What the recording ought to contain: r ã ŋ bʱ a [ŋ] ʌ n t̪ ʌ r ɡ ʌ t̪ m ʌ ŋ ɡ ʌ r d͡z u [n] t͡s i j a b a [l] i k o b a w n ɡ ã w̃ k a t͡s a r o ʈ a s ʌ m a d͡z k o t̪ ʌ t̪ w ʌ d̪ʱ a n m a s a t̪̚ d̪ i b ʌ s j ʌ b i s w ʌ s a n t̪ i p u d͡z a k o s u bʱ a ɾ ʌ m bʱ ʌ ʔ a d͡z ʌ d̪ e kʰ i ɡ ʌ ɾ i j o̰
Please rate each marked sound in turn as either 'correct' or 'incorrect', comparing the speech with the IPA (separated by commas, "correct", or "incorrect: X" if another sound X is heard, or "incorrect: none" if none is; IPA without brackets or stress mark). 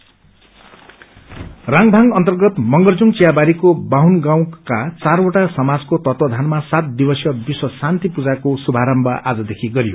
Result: correct, incorrect: ŋ, incorrect: ɾ